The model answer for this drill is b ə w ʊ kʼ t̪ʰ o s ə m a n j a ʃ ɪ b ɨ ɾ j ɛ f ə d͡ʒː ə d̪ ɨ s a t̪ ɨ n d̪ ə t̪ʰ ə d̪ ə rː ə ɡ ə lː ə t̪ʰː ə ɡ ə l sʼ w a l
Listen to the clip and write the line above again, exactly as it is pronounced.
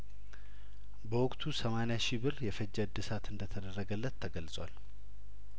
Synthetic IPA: b ə w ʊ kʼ t̪ʰ u s ə m a n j a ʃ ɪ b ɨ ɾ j ɛ f ə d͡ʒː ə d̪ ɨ s a t̪ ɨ n d̪ ə t̪ʰ ə d̪ ə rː ə ɡ ə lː ə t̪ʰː ə ɡ ə l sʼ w a l